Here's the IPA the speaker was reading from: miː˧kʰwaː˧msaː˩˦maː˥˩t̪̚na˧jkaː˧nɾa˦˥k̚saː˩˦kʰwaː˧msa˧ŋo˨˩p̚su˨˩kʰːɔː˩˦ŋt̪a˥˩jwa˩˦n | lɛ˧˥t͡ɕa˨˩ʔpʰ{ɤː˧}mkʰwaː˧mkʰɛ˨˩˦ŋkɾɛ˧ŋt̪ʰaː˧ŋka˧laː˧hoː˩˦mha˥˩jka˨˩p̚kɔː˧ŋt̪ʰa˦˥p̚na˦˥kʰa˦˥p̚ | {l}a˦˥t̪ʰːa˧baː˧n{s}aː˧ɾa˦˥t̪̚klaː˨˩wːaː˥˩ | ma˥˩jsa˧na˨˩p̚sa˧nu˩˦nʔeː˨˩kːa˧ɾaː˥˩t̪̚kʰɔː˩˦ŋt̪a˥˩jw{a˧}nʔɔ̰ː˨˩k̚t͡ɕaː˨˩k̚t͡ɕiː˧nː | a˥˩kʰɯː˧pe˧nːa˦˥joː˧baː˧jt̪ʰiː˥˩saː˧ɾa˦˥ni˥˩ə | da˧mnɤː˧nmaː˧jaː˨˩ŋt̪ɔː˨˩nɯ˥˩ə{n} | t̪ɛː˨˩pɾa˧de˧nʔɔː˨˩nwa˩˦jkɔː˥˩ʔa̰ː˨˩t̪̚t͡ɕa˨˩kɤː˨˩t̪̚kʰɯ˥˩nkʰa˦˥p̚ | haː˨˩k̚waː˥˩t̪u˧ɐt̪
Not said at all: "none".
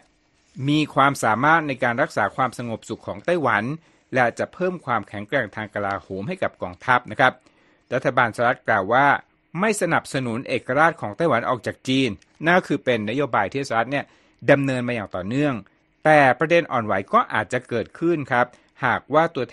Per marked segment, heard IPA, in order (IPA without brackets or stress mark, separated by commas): ɤː˥˩, ɾ, s, a˩˦, ŋ